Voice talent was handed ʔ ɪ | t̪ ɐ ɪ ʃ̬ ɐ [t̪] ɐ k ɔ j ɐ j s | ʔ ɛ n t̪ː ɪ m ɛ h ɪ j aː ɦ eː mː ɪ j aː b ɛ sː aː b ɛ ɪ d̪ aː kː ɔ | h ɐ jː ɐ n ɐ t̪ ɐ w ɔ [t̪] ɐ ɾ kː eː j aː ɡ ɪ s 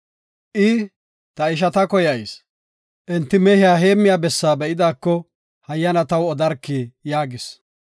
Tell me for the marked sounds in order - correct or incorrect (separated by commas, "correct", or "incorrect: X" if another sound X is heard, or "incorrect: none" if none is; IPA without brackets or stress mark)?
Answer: correct, incorrect: d̪